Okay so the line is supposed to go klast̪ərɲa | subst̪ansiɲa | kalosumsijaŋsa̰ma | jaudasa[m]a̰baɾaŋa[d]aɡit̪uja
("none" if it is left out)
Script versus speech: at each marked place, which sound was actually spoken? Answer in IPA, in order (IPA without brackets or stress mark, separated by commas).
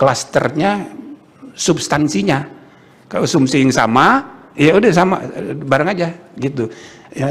m, d͡ʒ